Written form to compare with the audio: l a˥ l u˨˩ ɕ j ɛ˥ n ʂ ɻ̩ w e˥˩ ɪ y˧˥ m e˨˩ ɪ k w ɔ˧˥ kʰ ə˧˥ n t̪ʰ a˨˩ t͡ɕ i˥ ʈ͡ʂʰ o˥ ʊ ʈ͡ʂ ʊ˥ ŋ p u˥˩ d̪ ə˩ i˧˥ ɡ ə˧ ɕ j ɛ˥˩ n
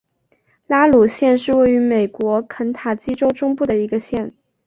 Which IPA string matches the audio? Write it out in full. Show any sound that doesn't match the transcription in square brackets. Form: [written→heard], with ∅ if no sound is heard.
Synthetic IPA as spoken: l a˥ l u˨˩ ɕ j [ɛ˥→ɛ˥˧] n ʂ ɻ̩ w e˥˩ ɪ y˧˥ m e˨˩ ɪ k w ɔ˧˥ kʰ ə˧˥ n t̪ʰ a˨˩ t͡ɕ i˥ [ʈ͡ʂʰ→ʈ͡ʂ] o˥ ʊ ʈ͡ʂ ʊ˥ ŋ p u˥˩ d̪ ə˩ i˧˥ ɡ ə˧ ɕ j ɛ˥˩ n